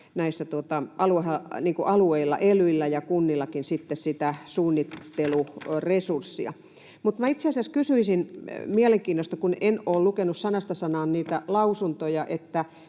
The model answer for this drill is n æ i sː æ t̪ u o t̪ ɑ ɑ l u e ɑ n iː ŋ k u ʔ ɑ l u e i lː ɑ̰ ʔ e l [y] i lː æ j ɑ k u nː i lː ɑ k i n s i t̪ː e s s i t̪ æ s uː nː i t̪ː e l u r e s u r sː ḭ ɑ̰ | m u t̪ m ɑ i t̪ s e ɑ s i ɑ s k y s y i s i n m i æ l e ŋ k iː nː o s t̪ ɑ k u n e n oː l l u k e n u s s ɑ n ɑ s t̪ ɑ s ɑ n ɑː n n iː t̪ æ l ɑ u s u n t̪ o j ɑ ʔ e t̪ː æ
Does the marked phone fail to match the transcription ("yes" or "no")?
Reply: no